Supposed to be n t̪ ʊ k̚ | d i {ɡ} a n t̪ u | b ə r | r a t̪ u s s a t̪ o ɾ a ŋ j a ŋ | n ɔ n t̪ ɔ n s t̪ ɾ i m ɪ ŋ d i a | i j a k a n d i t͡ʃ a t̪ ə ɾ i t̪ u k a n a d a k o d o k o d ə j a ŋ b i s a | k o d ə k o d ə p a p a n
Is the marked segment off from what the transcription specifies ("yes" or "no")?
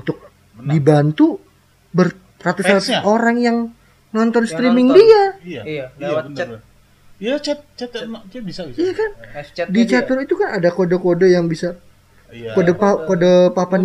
yes